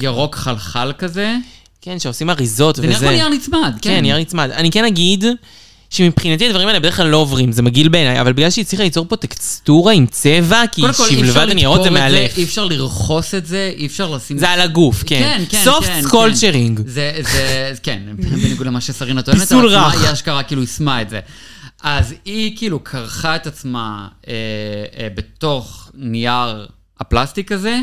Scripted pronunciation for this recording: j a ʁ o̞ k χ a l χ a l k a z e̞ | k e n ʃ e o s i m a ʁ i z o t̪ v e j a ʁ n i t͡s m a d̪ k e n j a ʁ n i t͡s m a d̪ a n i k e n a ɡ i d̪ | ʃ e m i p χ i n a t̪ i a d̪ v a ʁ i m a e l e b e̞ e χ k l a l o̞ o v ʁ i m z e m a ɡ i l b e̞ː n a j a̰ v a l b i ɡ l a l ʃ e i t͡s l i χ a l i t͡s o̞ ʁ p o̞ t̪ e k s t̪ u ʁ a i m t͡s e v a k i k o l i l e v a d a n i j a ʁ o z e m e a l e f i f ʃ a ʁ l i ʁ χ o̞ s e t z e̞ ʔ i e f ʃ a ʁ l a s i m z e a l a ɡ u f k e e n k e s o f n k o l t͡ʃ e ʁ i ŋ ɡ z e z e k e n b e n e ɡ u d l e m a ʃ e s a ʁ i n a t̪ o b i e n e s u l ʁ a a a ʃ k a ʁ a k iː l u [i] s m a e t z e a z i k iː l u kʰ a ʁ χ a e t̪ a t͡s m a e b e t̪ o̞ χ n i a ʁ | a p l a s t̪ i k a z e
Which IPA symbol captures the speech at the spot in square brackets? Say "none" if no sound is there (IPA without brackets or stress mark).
i